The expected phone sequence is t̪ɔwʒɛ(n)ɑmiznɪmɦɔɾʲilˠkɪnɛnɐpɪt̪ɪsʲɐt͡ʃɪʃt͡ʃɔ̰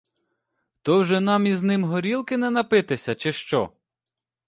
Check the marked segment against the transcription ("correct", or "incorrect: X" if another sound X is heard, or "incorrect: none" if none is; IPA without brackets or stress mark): correct